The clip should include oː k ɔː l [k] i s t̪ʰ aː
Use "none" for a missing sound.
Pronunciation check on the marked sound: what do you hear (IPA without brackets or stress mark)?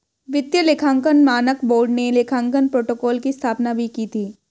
k